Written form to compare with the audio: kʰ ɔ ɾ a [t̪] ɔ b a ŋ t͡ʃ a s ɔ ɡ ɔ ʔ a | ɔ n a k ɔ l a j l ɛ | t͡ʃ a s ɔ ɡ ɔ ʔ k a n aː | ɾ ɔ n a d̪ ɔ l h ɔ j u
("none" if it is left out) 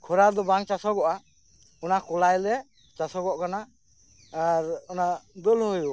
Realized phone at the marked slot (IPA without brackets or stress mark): d̪